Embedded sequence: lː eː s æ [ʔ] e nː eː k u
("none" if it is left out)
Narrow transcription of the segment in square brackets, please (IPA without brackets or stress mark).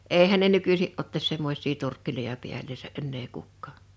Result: ʔ